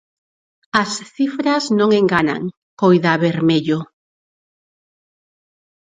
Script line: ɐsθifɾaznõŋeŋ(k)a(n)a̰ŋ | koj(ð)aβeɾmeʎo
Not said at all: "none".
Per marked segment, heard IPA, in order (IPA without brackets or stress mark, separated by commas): ɡ, n, ð